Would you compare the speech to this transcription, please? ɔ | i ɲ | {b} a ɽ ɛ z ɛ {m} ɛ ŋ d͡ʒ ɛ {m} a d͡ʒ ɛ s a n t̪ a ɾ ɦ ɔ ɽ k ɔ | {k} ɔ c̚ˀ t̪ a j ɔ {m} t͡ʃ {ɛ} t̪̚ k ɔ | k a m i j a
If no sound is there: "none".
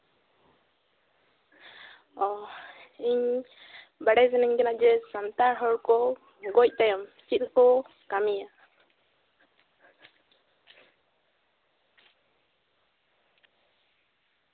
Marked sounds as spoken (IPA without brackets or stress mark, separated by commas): b, n, n, ɡ, m, i